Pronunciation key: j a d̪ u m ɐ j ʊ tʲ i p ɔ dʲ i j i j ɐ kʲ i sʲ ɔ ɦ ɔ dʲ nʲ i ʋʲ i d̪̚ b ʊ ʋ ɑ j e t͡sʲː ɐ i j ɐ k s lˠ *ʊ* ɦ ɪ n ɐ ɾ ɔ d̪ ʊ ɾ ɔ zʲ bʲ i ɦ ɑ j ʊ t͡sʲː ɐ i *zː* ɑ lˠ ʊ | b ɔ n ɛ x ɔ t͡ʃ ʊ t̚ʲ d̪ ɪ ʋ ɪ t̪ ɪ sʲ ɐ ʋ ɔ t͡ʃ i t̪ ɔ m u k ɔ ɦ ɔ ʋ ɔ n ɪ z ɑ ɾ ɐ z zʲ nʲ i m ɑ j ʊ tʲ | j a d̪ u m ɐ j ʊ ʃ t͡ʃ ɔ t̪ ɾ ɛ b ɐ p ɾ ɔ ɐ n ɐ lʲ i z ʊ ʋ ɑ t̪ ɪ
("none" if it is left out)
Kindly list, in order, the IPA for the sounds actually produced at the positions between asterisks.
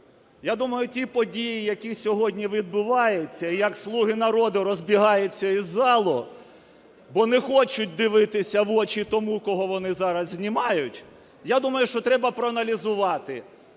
u, zː

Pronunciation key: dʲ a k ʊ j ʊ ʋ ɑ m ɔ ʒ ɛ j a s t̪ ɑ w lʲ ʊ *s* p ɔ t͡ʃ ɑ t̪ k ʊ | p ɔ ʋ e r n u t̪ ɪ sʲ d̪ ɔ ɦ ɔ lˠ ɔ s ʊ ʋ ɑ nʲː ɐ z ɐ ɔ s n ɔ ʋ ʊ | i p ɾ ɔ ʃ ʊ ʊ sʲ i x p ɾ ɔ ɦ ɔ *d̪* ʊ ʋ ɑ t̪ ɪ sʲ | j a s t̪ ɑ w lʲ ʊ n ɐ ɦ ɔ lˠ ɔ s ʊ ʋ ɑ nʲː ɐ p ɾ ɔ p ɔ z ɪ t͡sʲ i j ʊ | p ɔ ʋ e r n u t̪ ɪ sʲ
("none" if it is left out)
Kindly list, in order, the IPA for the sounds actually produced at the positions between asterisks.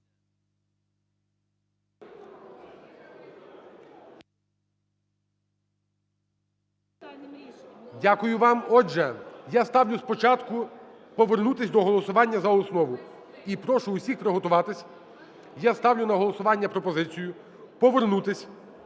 s, t̪

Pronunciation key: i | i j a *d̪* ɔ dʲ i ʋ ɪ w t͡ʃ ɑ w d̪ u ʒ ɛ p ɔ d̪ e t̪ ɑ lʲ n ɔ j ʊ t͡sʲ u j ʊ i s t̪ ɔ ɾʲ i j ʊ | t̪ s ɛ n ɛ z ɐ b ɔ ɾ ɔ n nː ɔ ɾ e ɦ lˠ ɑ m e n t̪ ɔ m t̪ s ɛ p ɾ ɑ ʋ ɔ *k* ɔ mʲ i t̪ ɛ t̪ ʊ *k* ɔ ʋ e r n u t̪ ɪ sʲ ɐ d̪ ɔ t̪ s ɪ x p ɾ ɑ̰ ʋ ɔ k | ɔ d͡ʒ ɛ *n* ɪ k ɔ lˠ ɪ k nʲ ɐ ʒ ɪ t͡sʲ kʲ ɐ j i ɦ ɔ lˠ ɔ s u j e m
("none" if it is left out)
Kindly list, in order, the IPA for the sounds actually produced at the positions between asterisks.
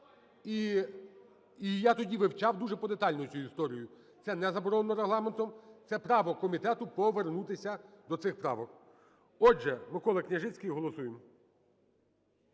t̪, k, p, m

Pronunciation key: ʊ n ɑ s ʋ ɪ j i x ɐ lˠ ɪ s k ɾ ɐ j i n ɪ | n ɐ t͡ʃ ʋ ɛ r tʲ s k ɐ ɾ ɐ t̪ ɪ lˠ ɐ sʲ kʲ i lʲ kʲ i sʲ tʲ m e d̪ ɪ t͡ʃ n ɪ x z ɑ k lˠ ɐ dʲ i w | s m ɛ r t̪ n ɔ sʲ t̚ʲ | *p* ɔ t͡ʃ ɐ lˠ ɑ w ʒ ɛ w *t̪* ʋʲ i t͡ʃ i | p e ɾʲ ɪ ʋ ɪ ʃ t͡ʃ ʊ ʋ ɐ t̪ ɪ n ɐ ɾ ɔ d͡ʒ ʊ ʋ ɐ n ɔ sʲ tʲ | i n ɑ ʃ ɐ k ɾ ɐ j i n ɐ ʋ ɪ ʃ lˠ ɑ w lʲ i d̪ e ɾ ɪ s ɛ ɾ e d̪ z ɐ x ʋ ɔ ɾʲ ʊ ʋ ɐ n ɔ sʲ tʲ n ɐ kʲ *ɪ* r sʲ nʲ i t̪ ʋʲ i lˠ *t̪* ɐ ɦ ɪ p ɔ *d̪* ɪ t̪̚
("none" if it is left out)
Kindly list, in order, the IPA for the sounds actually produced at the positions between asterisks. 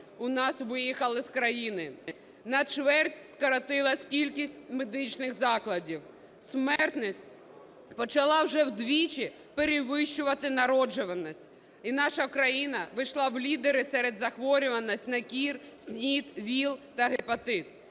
p, d̪, i, t̪, t̪

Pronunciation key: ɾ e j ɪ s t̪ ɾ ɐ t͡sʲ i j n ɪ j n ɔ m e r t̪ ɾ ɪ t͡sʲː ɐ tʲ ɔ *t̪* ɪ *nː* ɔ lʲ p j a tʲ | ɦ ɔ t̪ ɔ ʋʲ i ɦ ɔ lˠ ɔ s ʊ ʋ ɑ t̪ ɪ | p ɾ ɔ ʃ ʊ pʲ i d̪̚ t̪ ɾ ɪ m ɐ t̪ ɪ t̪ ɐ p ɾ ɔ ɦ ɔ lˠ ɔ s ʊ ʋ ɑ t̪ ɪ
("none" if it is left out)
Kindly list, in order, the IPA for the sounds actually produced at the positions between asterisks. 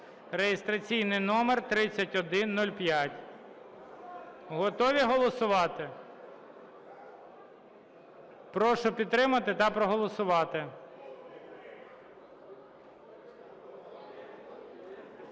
d̪, nː

